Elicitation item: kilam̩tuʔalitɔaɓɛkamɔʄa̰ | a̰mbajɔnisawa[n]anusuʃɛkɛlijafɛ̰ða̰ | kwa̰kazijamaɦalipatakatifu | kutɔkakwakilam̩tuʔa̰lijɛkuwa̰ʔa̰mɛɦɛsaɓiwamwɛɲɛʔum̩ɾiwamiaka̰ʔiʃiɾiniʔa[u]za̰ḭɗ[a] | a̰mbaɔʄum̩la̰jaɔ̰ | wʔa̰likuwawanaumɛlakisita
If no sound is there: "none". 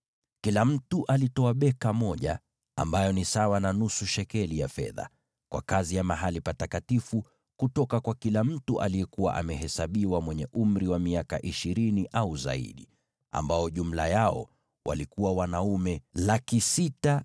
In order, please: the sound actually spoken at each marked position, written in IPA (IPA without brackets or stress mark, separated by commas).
n, u, i